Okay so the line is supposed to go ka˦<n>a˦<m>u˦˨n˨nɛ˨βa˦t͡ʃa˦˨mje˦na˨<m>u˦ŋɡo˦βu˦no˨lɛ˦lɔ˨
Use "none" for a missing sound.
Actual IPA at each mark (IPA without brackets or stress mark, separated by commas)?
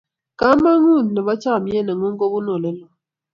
m, ŋ, ŋ